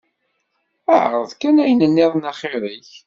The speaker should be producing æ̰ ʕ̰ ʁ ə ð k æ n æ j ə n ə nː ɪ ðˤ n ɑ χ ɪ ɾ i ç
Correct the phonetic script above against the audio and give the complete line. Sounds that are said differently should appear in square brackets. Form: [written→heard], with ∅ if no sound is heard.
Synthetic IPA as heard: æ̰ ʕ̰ ʁ ə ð k æ n æ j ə n ə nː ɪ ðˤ n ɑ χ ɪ ɾ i ç